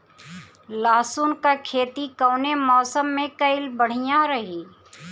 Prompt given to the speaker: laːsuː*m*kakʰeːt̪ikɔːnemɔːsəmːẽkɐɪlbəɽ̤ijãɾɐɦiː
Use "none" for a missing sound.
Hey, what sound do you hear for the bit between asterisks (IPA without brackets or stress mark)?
n